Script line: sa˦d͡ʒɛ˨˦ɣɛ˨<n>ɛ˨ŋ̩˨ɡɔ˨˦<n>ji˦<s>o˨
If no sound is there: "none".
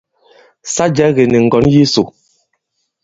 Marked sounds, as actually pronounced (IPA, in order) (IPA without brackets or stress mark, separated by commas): n, n, s